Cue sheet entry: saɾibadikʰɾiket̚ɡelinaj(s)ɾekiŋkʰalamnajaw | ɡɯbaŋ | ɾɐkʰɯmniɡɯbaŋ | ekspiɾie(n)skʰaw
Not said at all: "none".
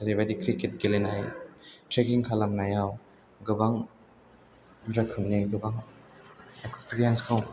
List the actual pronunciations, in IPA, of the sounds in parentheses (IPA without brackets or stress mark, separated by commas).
t, n